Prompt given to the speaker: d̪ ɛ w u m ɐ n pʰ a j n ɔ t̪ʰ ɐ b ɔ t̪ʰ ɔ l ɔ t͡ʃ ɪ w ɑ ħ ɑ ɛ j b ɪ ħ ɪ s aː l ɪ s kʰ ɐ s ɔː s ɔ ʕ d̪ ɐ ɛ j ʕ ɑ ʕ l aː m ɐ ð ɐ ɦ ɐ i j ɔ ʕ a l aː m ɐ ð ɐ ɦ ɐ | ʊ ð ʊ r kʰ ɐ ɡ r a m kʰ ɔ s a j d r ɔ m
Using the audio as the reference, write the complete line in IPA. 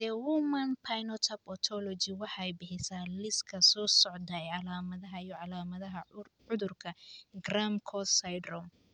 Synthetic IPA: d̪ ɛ w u m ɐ n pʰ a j n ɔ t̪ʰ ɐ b ɔ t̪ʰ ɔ l ɔ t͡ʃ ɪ w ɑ ħ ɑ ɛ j b ɪ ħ ɪ s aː l ɪ s kʰ ɐ s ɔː s ɔ ʕ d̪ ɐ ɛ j ʕ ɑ l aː m ɐ ð ɐ ɦ ɐ i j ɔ ʕ ɑ l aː m ɐ ð ɐ ɦ ɐ | ʊ ð ʊ r kʰ ɐ ɡ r a m kʰ ɔ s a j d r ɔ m

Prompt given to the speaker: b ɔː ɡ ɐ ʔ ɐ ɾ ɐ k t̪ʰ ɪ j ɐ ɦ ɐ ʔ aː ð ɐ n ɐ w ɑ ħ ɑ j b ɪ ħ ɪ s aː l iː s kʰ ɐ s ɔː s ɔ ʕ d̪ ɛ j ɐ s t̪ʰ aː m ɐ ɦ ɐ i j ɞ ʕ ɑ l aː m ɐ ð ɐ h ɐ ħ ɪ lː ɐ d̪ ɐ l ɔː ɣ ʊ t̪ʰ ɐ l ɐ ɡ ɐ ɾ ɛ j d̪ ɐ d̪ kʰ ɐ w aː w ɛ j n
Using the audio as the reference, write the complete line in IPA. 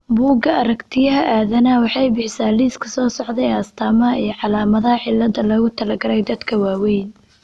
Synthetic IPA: b uː ɡ ɐ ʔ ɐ ɾ ɐ k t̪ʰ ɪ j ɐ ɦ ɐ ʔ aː ð ɐ n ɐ w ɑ ħ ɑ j b ɪ ħ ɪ s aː l iː s kʰ ɐ s ɔː s ɔ ʕ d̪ ɛ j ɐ s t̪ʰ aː m ɐ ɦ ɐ i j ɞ ʕ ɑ l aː m ɐ ð ɐ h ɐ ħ ɪ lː ɐ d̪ ɐ l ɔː ɣ ʊ t̪ʰ ɐ l ɐ ɡ ɐ ɾ ɛ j d̪ ɐ d̪ kʰ ɐ w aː w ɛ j n

